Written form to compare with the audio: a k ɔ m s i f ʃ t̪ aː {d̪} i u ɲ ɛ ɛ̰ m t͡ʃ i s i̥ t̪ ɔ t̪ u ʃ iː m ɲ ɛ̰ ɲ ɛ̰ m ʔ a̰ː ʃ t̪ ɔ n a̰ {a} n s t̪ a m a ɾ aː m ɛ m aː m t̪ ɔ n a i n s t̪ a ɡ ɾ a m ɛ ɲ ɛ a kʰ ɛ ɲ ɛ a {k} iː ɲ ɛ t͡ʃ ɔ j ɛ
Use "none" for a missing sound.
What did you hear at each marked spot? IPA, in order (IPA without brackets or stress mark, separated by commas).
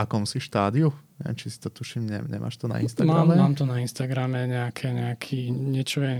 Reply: d̪, i, kʰ